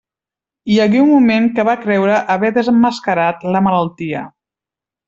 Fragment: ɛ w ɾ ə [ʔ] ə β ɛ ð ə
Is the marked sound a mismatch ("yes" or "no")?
no